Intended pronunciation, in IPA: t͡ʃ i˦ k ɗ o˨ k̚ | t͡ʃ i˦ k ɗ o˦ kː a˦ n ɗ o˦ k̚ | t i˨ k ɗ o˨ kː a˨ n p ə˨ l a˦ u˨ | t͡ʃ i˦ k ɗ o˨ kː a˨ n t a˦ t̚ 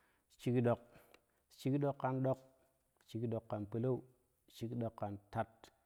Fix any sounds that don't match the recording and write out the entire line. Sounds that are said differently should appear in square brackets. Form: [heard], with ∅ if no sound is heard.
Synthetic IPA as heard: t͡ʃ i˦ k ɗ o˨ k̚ | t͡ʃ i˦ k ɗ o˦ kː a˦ n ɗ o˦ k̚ | [t͡ʃ] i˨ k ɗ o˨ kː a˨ n p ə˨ l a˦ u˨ | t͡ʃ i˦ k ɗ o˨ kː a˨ n t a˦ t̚